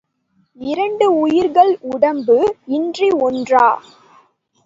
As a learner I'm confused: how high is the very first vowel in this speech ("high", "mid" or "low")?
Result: high